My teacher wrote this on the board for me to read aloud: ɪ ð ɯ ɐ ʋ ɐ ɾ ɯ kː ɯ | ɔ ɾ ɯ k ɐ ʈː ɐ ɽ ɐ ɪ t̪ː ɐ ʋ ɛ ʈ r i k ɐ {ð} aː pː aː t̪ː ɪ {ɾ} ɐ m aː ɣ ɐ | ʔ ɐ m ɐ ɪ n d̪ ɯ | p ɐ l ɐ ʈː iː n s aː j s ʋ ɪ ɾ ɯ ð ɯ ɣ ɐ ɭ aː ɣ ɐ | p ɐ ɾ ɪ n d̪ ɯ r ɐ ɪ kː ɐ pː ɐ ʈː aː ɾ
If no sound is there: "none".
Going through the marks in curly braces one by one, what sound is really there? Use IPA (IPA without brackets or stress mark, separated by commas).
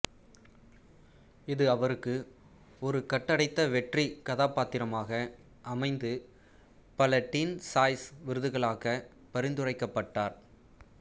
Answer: ð, ɾ